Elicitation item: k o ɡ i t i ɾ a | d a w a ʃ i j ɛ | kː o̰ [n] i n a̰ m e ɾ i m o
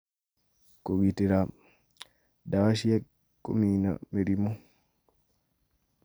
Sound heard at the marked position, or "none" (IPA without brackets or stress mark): m